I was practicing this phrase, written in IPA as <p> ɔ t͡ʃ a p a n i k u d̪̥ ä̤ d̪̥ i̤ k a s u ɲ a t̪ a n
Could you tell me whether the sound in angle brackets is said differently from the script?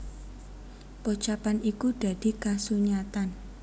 no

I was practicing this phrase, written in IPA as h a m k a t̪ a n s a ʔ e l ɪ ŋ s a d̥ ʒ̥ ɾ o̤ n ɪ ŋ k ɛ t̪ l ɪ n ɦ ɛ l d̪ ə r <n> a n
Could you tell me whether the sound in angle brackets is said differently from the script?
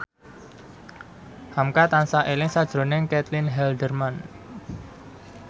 yes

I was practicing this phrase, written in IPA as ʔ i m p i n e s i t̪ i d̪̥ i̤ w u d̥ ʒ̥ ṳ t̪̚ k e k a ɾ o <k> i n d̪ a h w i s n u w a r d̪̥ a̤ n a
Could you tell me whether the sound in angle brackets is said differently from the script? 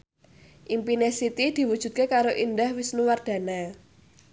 yes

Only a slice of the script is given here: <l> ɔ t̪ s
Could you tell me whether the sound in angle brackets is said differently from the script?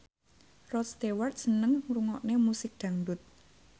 yes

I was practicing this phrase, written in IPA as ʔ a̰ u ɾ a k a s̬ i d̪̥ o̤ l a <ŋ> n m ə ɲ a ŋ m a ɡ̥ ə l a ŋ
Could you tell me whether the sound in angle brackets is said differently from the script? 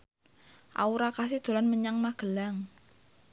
yes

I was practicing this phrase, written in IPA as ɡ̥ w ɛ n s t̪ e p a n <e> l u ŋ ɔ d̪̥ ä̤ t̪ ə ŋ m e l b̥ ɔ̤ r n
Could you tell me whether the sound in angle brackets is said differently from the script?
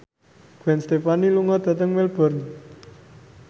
yes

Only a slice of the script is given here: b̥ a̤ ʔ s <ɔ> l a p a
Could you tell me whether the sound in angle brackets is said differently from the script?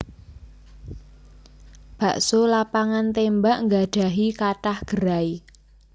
yes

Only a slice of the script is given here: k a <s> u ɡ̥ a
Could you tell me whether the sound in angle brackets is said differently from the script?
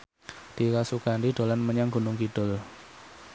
no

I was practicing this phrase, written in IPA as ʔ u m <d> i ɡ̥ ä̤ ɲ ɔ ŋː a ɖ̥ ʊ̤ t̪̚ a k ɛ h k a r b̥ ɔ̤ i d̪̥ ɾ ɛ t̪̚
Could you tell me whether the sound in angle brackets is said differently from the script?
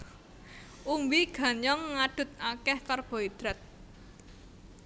yes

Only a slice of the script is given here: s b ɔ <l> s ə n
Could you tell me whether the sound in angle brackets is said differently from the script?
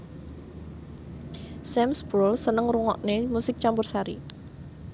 no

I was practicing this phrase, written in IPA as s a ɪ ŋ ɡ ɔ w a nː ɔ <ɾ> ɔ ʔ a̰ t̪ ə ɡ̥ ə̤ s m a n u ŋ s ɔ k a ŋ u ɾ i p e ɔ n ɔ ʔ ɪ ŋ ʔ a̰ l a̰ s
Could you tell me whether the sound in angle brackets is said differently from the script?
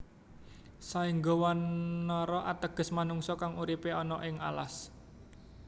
no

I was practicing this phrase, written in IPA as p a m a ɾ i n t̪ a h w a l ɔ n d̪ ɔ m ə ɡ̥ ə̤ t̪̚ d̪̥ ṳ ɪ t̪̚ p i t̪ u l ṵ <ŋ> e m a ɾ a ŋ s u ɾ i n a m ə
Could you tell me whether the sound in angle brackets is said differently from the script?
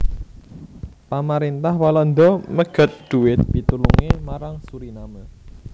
no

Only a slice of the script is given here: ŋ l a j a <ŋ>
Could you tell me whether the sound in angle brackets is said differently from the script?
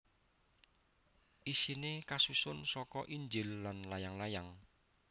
no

